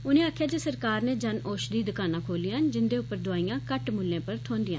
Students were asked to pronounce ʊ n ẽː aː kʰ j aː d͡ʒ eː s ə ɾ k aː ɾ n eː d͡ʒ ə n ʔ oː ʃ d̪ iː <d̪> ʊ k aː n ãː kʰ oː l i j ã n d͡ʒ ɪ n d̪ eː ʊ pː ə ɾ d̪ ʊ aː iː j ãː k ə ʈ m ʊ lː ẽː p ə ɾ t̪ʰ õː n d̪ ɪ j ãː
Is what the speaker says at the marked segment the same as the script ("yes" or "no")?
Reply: yes